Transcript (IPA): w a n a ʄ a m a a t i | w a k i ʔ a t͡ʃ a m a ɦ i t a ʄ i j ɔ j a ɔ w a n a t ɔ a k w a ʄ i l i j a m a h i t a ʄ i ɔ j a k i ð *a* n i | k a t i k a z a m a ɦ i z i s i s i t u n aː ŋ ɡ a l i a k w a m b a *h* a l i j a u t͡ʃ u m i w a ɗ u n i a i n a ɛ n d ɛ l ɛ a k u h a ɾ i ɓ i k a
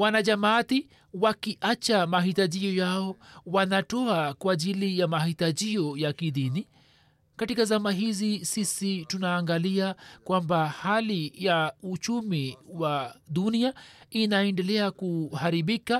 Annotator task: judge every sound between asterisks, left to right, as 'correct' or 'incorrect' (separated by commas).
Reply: incorrect, correct